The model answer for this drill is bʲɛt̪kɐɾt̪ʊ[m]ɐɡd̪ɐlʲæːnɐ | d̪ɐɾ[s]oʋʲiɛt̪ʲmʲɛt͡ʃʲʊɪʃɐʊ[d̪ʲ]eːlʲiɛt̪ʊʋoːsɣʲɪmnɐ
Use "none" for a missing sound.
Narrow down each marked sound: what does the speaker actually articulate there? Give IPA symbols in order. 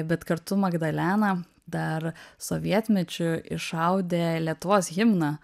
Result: m, s, d̪ʲ

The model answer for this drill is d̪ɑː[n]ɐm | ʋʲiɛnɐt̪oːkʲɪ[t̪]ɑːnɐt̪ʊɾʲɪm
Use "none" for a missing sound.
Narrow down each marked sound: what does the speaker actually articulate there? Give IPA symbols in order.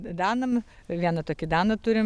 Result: n, d̪

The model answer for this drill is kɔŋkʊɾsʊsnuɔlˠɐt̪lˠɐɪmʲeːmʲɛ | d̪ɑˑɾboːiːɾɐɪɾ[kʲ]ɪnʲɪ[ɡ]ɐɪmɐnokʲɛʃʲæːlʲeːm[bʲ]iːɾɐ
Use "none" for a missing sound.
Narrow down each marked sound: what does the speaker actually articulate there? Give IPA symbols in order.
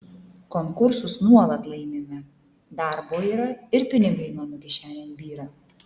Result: pʲ, ɡ, bʲ

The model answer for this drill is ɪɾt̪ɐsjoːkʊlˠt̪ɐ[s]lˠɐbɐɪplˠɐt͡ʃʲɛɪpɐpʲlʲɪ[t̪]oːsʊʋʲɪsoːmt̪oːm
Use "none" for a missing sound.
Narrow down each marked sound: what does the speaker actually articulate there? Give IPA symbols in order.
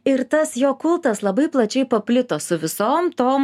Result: s, t̪

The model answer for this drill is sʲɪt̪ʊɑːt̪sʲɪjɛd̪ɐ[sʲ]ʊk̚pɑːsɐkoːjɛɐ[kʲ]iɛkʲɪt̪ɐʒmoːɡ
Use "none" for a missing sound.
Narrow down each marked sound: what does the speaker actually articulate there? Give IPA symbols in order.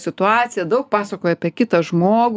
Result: none, pʲ

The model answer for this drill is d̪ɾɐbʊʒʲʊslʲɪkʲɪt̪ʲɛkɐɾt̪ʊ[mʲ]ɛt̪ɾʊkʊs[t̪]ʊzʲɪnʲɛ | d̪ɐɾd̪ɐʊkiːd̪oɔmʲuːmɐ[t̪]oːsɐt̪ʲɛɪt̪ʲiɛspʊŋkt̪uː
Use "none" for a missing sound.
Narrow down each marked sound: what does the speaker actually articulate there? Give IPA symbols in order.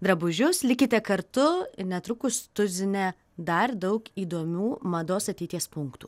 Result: nʲ, t̪, d̪

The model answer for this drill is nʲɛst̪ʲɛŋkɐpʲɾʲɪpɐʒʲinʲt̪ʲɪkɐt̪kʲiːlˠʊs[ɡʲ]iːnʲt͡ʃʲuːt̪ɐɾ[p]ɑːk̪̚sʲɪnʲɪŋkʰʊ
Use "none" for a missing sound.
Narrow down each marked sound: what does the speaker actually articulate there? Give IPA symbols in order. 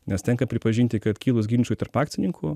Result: ɡʲ, p

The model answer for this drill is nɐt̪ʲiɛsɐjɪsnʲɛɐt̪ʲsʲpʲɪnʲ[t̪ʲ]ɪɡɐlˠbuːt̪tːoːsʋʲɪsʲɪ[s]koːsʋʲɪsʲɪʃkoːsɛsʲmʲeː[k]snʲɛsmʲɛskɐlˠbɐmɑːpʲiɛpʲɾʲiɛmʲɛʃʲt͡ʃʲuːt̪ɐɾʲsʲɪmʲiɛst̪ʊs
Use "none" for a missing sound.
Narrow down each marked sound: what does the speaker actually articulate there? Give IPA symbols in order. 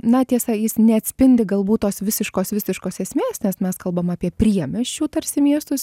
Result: d̪ʲ, ʃ, none

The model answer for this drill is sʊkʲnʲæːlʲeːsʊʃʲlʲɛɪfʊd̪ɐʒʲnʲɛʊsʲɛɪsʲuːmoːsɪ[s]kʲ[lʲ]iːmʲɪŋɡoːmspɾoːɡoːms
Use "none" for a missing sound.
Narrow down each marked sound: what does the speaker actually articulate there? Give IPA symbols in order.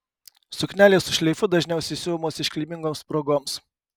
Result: ʃ, lʲ

